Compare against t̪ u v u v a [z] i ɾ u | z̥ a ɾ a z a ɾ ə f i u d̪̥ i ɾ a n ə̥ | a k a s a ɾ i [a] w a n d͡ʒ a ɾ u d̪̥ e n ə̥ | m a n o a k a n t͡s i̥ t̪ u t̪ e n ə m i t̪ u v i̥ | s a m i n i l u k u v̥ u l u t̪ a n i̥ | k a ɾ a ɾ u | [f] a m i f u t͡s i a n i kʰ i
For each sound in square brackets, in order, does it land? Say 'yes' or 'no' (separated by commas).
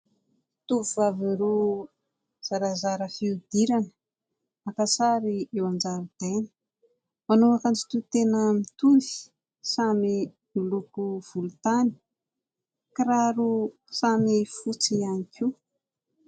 no, no, no